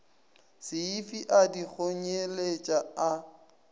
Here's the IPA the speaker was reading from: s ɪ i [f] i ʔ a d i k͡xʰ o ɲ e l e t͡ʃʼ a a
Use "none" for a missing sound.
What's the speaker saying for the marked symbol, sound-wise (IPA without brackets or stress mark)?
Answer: f